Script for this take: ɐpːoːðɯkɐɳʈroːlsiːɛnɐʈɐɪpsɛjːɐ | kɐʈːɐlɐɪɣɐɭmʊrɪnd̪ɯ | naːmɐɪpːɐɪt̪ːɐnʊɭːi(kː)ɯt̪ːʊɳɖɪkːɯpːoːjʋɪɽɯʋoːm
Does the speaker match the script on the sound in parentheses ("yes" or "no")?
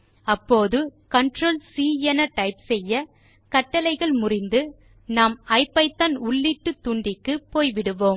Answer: no